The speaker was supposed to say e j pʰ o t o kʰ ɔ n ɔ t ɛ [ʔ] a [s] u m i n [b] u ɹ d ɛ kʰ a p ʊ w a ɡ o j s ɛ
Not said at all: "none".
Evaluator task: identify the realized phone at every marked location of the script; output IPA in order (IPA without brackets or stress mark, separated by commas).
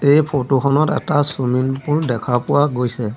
t, s, p